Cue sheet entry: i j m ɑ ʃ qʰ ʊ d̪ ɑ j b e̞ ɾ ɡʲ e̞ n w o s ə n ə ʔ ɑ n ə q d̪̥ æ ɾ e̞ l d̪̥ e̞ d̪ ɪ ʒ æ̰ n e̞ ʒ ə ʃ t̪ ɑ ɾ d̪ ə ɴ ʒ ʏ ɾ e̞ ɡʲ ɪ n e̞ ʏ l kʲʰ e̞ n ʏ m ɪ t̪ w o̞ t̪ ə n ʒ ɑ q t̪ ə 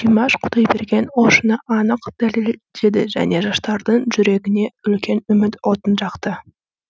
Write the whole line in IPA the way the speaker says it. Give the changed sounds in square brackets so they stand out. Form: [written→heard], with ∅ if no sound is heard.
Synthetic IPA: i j m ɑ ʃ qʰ ʊ d̪ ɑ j b e̞ ɾ ɡʲ e̞ n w o [s→ʃ] ə n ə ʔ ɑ n ə q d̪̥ æ [ɾ→l] e̞ l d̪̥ e̞ d̪ ɪ ʒ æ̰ n e̞ ʒ [ə→ɑ] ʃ t̪ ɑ ɾ d̪ ə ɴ ʒ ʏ ɾ e̞ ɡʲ ɪ n e̞ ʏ l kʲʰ e̞ n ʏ m ɪ t̪ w o̞ t̪ ə n ʒ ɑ q t̪ ə